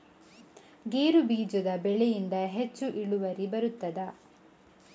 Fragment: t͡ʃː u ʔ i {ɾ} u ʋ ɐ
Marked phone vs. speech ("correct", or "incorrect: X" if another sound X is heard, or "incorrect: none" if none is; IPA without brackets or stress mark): incorrect: ɭ